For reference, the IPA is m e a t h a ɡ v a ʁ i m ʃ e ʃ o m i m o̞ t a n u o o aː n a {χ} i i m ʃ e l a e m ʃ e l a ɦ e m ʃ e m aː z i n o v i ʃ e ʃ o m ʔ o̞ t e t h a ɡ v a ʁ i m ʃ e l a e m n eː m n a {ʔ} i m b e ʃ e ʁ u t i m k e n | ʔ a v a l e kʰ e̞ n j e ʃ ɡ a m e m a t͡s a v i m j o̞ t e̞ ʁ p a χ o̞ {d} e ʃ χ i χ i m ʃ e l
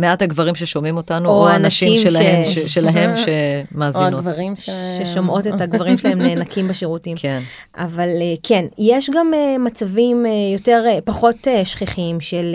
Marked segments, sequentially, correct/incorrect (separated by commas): incorrect, incorrect, incorrect